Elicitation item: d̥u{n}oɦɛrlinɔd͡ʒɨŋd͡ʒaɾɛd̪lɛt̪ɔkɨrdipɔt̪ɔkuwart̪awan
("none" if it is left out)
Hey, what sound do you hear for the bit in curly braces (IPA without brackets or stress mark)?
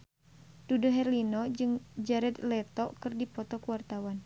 d